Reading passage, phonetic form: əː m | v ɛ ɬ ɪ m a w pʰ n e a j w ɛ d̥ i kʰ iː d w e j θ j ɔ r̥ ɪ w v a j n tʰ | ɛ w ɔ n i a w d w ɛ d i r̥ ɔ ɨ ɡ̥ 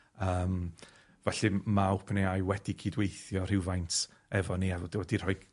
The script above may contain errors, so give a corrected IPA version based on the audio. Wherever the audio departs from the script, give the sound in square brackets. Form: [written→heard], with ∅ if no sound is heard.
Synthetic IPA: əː m | v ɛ ɬ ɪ m a w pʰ n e a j w ɛ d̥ i kʰ iː d w e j θ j ɔ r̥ ɪ w v a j n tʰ | ɛ [w→v] ɔ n i a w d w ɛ d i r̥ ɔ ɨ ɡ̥

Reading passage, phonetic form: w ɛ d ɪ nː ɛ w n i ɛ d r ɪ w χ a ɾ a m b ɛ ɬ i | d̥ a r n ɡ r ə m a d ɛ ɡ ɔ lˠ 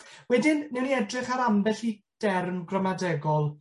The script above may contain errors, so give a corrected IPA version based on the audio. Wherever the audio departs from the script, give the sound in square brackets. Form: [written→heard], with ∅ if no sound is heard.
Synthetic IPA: w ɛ d ɪ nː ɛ w n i ɛ d r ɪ [w→∅] χ a ɾ a m b ɛ ɬ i | d̥ [a→ɛ] r [n→m] ɡ r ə m a d ɛ ɡ ɔ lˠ

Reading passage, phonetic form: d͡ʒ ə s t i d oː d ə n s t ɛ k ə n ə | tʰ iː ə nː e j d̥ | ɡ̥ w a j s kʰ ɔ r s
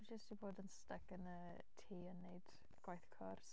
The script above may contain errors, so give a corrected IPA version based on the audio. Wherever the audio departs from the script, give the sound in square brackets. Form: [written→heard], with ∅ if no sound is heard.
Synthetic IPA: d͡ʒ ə s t i [d→b] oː d ə n s t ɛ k ə n ə | tʰ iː ə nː e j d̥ | ɡ̥ w a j [s→θ] kʰ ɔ r s

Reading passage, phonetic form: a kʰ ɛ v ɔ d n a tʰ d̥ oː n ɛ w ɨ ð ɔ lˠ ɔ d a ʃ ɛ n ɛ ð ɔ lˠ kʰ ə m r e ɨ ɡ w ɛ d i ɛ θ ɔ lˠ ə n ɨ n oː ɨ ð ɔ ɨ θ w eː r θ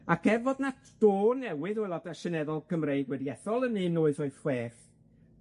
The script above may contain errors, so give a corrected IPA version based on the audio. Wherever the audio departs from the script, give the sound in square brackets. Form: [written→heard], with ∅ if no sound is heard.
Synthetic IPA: a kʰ ɛ v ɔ d n a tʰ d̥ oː n ɛ w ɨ ð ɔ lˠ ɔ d a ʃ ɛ n ɛ ð ɔ lˠ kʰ ə m r e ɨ ɡ w ɛ d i ɛ θ ɔ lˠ ə n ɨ n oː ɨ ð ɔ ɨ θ w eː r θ

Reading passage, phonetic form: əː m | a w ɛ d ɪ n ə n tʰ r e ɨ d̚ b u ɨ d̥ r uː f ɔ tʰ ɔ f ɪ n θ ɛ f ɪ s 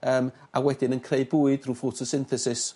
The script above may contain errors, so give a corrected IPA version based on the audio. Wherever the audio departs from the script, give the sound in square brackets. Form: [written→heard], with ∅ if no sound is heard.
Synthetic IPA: əː m | a w ɛ d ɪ n ə n [tʰ→kʰ] r e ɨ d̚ b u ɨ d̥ r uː f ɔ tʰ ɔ [f→s] ɪ n θ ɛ [f→s] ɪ s

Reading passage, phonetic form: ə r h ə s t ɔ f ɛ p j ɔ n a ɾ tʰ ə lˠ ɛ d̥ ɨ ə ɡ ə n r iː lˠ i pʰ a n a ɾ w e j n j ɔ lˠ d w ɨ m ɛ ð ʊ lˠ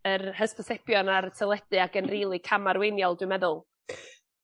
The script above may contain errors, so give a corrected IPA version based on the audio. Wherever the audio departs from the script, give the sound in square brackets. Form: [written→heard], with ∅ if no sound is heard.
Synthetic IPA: ə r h ə s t ɔ [f→s] ɛ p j ɔ n a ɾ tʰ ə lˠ ɛ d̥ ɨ [ə→a] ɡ ə n r iː lˠ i [pʰ→kʰ] a [n→m] a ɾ w e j n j ɔ lˠ d w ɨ m ɛ ð ʊ lˠ

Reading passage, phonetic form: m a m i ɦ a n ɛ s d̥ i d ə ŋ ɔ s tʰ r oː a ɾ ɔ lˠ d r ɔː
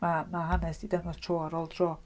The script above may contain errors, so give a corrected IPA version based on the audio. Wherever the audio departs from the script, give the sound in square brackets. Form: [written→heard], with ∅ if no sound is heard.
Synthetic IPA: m a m [i→a] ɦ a n ɛ s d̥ i d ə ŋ ɔ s tʰ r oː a ɾ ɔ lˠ d r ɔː

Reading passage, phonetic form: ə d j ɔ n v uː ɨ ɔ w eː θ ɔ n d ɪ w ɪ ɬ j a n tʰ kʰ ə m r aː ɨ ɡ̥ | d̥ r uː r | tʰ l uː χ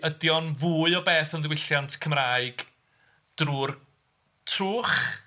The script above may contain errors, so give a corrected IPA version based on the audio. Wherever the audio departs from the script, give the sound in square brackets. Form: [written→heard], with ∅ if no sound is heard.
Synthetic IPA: ə d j ɔ n v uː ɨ ɔ [w→b] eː θ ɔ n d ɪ w ɪ ɬ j a n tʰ kʰ ə m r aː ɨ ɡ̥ | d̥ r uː r | tʰ [l→r] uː χ

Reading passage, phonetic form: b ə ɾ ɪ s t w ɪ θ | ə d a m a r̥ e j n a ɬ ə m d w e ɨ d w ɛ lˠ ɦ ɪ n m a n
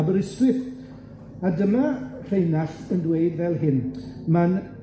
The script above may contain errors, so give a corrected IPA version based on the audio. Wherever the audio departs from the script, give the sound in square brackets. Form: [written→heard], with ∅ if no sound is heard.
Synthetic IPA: b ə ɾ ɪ s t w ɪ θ | [ə→a] d [a→ə] m a r̥ e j n a ɬ ə [m→n] d w e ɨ d [w→v] ɛ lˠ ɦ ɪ n m a n

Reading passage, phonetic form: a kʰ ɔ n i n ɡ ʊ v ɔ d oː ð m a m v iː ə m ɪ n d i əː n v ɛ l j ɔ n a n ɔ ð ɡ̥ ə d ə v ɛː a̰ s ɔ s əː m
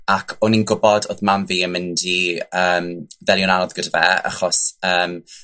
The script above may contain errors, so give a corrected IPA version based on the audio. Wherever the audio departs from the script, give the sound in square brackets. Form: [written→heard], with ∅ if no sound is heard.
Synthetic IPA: a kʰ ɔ n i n ɡ ʊ [v→b] ɔ d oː ð m a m v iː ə m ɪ n d i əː [n→m] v ɛ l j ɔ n a n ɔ ð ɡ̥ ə d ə v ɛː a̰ [s→χ] ɔ s əː m

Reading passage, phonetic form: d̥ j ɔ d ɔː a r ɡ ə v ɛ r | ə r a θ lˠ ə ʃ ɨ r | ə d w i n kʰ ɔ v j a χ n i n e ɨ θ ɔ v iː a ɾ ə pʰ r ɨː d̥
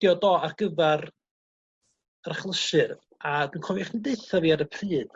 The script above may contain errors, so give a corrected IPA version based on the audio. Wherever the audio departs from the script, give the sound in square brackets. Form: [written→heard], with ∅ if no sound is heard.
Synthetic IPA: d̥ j ɔ d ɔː a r ɡ ə v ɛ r | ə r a [θ→χ] lˠ ə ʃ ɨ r | [ə→a] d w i n kʰ ɔ v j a χ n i [n→d] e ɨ θ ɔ v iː a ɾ ə pʰ r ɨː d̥

